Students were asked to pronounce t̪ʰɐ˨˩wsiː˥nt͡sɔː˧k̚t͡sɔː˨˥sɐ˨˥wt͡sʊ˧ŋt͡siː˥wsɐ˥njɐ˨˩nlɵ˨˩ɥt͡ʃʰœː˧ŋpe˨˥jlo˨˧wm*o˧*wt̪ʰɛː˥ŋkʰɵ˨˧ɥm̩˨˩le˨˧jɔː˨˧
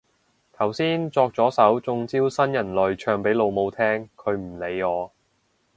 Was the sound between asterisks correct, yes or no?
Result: yes